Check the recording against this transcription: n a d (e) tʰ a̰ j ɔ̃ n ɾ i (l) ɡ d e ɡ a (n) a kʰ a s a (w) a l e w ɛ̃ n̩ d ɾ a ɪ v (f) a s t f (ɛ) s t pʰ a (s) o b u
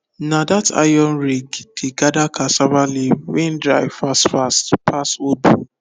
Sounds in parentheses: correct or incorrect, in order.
incorrect, incorrect, incorrect, incorrect, correct, incorrect, correct

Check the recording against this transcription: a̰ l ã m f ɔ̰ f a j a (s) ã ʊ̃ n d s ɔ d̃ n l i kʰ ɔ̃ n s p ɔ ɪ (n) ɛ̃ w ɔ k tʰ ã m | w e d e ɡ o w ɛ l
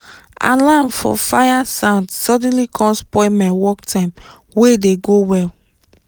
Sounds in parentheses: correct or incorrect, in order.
correct, incorrect

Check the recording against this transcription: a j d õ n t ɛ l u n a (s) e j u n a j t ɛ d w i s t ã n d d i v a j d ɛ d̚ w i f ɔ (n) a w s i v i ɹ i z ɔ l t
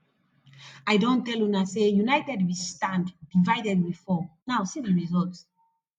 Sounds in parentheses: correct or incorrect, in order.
correct, correct

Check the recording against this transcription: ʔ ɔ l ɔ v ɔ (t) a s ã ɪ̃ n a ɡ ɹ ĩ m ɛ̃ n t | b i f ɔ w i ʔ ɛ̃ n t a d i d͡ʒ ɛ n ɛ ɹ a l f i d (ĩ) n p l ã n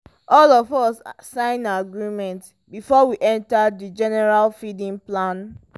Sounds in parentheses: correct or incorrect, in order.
incorrect, correct

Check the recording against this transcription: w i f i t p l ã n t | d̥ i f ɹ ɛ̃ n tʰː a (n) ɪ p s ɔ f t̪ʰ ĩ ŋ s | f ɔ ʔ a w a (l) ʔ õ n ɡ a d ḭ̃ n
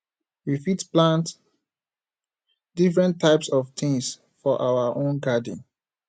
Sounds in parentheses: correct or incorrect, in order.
incorrect, incorrect

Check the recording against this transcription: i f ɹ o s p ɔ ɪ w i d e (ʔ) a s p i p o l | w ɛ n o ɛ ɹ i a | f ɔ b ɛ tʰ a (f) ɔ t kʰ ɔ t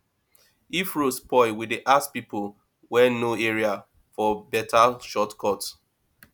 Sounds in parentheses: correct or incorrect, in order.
correct, incorrect

